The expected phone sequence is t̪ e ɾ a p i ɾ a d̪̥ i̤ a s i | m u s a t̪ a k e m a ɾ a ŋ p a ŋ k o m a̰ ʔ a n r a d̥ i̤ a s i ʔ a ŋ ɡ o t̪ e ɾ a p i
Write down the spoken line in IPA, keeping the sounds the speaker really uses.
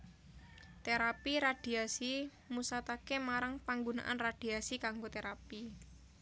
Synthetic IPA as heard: t̪ e ɾ a p i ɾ a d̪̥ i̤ a s i | m u s a t̪ a k e m a ɾ a ŋ p a ŋ ɡ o n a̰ ʔ a n r a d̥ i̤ a s i k a ŋ ɡ o t̪ e ɾ a p i